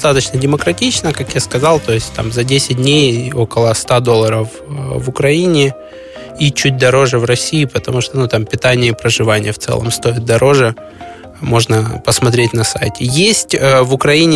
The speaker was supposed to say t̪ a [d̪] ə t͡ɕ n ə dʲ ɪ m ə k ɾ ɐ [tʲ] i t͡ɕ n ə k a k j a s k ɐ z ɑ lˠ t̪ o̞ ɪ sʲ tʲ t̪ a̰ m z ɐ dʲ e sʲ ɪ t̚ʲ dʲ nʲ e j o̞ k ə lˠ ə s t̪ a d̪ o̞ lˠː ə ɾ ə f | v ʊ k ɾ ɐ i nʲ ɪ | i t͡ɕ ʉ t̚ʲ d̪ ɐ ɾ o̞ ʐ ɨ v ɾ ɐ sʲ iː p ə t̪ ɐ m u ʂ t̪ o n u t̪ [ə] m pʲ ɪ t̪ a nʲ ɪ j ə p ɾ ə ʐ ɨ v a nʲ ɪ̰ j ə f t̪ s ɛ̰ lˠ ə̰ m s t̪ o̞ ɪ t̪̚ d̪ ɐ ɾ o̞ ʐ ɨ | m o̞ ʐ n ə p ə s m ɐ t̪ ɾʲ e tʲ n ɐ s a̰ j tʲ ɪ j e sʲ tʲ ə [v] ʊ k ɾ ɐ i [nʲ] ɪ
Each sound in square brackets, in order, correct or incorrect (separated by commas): incorrect, correct, incorrect, correct, correct